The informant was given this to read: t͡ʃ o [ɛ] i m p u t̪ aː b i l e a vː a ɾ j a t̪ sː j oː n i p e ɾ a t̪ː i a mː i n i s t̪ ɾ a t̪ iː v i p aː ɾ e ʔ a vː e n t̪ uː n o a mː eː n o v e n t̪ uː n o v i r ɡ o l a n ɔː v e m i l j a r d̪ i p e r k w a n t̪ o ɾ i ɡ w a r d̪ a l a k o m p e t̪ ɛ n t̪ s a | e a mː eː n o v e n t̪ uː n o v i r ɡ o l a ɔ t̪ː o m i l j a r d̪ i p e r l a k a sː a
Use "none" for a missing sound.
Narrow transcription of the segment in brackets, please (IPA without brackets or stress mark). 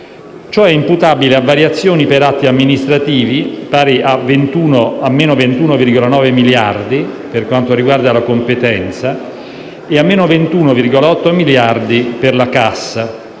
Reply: ɛ